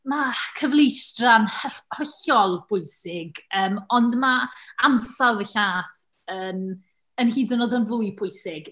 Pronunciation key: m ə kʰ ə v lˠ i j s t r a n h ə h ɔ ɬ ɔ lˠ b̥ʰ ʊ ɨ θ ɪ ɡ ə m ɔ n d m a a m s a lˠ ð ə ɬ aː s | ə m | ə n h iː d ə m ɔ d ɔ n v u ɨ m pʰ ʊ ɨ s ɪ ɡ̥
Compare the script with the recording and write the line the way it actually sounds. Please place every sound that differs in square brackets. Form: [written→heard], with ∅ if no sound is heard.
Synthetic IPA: m [ə→a] kʰ ə v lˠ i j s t r a n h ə h ɔ ɬ ɔ lˠ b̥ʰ ʊ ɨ [θ→s] ɪ ɡ [ə→əː] m ɔ n d m a a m s a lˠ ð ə ɬ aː [s→θ] | ə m | ə n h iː d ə [m→n] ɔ d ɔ n v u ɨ [m→∅] pʰ ʊ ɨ s ɪ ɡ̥

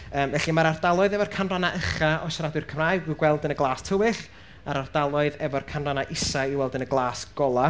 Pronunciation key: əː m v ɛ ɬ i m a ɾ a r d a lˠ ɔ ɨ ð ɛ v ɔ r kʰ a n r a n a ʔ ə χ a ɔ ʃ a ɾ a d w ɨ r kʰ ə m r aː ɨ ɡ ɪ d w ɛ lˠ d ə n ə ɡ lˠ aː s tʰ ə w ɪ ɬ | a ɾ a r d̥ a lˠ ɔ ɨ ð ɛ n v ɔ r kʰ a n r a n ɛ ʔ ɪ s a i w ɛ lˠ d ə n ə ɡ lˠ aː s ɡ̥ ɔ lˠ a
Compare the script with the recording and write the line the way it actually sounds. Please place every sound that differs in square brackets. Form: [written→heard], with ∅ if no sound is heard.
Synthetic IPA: əː m v ɛ ɬ i m a ɾ a r d a lˠ ɔ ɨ ð ɛ v ɔ r kʰ a n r a n a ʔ ə χ a ɔ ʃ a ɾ a d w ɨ r kʰ ə m r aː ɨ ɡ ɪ [d→ɡ] w ɛ lˠ d ə n ə ɡ lˠ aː s tʰ ə w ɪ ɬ | a ɾ a r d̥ a lˠ ɔ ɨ ð ɛ [n→∅] v ɔ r kʰ a n r a n [ɛ→a] ʔ ɪ s a i w ɛ lˠ d ə n ə ɡ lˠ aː s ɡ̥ ɔ lˠ a

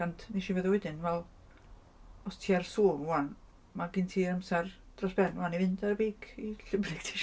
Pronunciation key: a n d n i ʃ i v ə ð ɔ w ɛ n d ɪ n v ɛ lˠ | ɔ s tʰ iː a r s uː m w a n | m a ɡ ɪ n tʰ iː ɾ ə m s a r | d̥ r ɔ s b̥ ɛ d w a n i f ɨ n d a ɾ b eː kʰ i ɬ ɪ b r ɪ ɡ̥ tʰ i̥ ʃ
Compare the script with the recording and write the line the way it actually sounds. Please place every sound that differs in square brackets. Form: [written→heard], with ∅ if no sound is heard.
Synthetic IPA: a n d n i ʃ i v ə ð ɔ w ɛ [n→∅] d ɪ n v ɛ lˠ | ɔ s tʰ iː a r s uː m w a n | m a ɡ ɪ n tʰ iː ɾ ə m s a r | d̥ r ɔ s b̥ ɛ [d→n] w a n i [f→v] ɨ n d a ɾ b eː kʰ i ɬ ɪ b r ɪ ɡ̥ tʰ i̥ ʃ

